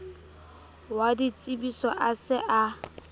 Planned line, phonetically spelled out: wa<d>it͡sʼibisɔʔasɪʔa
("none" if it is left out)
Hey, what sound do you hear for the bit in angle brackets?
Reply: d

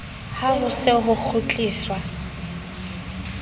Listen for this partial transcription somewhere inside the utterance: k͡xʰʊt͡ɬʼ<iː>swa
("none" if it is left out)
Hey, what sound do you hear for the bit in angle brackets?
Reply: iː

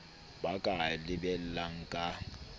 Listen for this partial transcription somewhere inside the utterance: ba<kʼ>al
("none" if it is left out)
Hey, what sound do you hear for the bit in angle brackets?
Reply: kʼ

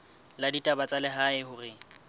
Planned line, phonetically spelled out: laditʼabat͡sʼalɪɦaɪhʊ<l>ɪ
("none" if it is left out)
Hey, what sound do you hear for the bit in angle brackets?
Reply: r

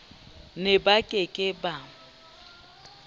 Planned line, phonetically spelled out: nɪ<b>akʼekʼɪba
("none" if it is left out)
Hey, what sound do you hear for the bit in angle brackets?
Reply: b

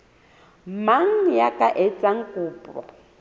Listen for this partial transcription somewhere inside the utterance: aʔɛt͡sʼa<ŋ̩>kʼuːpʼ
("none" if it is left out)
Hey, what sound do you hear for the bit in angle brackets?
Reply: ŋ̩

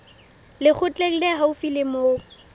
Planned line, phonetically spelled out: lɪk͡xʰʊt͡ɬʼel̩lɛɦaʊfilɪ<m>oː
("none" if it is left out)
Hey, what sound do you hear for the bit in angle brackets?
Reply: m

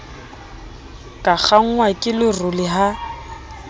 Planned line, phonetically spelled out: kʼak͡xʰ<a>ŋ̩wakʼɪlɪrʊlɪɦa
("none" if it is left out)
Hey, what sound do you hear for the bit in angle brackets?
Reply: a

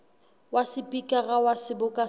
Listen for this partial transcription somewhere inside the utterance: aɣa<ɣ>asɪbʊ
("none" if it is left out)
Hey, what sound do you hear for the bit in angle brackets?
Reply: w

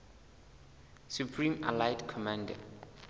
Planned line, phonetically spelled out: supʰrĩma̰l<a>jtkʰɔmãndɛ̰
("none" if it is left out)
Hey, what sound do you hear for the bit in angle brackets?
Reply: a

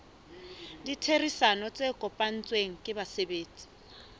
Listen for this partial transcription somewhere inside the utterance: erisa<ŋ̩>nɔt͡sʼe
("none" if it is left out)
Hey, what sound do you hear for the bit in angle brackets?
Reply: none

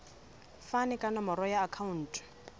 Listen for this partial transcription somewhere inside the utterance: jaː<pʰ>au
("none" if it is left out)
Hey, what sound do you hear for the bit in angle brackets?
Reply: kʰ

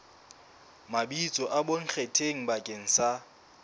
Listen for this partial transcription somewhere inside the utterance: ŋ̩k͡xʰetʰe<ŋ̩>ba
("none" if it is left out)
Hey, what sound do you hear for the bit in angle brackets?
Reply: ŋ̩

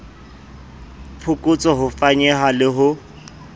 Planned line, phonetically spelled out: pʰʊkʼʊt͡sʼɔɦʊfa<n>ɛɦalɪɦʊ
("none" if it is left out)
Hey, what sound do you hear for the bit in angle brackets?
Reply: ɲ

